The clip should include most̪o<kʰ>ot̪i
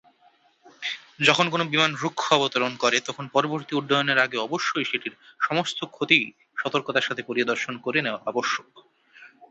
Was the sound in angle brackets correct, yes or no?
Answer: yes